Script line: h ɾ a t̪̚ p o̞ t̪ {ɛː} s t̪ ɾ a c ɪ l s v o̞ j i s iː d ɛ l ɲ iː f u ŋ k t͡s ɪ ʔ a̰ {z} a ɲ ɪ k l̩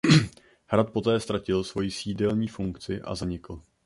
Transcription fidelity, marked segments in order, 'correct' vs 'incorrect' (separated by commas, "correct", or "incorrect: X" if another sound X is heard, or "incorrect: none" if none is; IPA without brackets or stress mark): correct, correct